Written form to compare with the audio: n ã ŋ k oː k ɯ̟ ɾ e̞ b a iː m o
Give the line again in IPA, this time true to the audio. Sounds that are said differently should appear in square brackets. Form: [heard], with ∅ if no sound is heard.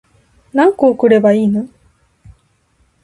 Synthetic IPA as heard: n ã ŋ k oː k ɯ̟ ɾ e̞ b a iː [n] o